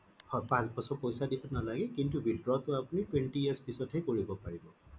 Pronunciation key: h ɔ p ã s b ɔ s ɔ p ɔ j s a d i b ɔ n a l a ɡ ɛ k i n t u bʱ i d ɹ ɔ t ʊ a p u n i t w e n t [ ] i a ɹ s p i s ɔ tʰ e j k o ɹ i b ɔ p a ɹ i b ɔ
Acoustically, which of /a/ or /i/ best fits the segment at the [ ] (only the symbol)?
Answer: i